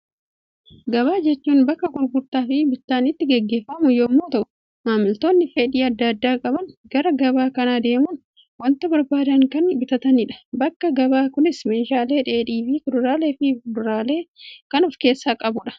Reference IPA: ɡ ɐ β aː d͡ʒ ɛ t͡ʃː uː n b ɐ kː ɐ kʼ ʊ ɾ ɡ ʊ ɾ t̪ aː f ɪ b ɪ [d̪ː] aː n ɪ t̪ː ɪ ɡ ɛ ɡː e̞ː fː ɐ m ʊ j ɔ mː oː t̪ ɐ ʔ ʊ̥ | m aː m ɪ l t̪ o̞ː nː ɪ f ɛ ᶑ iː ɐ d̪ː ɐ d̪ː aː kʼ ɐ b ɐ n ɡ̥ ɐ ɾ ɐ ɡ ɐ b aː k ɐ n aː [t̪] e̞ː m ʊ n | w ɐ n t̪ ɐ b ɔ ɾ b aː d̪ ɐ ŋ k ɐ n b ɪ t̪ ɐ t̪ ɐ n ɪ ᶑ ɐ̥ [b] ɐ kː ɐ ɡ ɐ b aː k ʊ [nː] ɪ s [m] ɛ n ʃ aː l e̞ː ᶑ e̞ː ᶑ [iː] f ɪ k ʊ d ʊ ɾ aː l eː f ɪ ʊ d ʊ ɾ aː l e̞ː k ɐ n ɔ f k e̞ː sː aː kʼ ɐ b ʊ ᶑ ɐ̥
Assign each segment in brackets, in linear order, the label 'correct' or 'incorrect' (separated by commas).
incorrect, incorrect, correct, incorrect, correct, correct